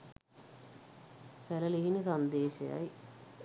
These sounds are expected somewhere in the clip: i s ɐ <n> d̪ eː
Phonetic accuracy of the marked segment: correct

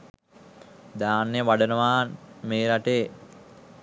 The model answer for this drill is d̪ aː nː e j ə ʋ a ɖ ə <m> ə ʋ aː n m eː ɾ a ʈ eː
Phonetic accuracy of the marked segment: incorrect: n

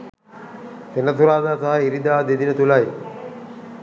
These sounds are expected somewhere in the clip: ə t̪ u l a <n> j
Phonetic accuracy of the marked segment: incorrect: none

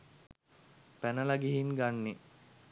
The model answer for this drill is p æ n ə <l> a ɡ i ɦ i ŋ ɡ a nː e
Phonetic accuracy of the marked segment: correct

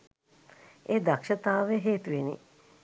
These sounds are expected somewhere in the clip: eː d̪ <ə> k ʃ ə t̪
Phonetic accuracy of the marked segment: incorrect: a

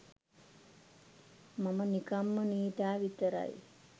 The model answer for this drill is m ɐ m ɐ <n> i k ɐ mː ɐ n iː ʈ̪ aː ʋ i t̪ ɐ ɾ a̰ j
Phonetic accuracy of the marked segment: correct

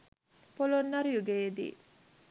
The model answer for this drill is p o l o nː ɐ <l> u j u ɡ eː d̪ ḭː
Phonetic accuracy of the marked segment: incorrect: ɾ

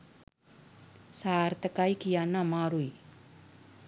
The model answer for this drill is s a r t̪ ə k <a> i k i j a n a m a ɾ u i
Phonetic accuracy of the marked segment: correct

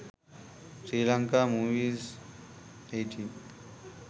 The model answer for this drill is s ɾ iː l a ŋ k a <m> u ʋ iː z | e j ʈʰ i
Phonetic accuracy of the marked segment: correct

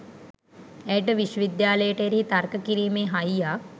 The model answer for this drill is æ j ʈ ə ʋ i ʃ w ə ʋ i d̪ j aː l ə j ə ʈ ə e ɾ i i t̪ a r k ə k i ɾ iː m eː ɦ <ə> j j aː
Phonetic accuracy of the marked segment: incorrect: a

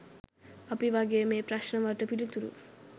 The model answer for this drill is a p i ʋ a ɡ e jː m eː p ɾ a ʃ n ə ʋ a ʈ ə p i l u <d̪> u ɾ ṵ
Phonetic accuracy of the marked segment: incorrect: t̪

